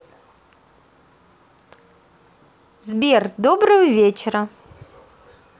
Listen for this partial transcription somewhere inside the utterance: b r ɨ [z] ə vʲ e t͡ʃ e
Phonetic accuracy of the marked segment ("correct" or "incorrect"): incorrect